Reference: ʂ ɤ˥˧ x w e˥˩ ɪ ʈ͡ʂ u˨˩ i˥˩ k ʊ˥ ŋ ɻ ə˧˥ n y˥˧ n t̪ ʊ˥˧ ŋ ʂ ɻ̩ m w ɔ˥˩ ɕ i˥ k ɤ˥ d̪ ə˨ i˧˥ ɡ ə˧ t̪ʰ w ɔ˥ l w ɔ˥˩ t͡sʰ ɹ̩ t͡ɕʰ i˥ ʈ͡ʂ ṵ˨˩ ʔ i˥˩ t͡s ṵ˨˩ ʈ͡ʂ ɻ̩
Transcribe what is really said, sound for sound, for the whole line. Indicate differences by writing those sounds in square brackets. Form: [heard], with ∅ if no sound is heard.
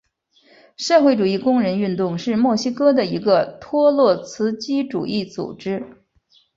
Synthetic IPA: ʂ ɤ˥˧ x w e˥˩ ɪ ʈ͡ʂ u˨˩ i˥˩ k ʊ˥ ŋ ɻ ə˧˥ n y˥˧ n t̪ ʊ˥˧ ŋ ʂ ɻ̩ m w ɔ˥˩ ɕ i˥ k ɤ˥ d̪ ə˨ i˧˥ ɡ ə˧ t̪ʰ w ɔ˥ l w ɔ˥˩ t͡sʰ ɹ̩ [t͡ɕ] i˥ ʈ͡ʂ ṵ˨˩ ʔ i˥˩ t͡s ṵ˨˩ ʈ͡ʂ ɻ̩